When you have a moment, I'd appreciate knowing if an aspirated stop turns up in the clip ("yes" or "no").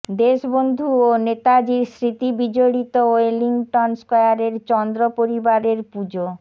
no